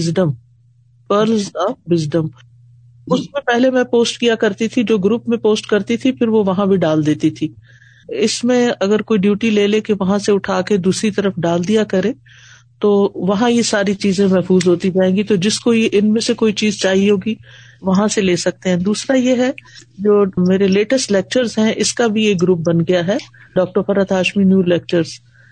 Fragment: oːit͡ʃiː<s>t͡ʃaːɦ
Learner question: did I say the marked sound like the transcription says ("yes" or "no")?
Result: no